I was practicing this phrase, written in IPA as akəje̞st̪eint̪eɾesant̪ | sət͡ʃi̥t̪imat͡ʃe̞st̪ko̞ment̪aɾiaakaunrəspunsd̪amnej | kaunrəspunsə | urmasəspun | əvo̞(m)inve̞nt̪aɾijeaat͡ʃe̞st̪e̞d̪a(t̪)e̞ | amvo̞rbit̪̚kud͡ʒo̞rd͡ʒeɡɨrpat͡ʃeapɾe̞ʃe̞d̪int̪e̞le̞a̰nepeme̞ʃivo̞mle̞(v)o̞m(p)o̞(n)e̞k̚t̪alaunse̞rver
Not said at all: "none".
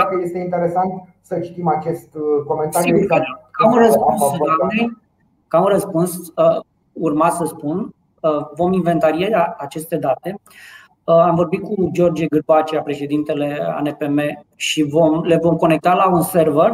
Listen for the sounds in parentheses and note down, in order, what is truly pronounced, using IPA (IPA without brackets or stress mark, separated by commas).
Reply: m, t̪, v, k, n